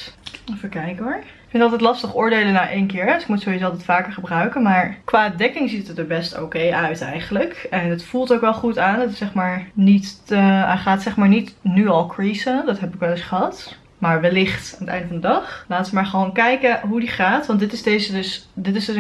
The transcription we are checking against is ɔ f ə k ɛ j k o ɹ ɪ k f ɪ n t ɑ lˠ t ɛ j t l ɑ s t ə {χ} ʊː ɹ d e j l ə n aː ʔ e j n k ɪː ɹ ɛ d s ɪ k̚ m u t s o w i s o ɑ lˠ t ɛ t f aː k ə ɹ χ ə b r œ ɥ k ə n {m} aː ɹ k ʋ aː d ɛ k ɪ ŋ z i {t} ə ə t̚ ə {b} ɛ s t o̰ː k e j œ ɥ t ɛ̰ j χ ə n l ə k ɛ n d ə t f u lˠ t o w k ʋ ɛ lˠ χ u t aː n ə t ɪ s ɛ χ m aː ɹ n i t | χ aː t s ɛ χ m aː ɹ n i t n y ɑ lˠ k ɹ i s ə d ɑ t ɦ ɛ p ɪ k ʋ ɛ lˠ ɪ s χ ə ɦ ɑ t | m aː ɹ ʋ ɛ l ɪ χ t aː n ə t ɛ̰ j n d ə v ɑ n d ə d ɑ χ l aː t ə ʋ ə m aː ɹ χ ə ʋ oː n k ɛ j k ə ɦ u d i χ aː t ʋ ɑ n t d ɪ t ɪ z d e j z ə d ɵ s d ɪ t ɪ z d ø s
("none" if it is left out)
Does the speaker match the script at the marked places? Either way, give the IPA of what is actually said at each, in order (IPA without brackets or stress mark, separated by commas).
χ, m, t, b